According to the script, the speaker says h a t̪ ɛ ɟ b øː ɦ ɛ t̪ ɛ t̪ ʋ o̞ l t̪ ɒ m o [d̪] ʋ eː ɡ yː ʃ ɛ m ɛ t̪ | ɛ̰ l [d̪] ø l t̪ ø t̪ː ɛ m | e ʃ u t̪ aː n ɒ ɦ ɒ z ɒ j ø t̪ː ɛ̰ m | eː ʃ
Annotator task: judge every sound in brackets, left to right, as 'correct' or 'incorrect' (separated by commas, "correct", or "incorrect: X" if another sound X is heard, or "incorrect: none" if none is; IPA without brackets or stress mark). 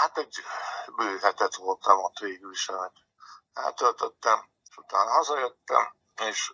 incorrect: t̪, incorrect: t̪